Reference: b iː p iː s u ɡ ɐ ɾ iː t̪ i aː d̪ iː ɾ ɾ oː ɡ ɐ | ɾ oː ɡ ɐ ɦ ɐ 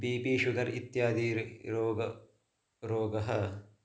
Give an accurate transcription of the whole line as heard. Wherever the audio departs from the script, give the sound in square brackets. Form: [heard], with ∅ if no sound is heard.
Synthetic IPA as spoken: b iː p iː [ʃ] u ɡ ɐ ɾ [i] t̪ [j] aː d̪ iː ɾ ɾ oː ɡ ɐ | ɾ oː ɡ ɐ ɦ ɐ